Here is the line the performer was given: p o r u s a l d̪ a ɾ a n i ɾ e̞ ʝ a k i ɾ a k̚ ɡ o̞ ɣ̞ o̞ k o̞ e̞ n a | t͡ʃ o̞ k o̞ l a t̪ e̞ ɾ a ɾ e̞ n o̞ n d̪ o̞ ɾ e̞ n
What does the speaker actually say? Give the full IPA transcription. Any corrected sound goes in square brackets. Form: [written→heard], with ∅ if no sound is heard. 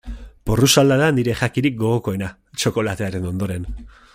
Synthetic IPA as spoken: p o r u s a l d̪ a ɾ a n i ɾ e̞ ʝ a k i ɾ [a→i] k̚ ɡ o̞ ɣ̞ o̞ k o̞ e̞ n a | t͡ʃ o̞ k o̞ l a t̪ e̞ [ɾ→∅] a ɾ e̞ n o̞ n d̪ o̞ ɾ e̞ n